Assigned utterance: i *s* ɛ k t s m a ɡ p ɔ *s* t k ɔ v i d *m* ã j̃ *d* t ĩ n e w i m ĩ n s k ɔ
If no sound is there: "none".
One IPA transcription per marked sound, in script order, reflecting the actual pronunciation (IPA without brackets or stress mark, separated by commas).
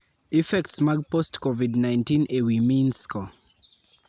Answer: f, s, n, n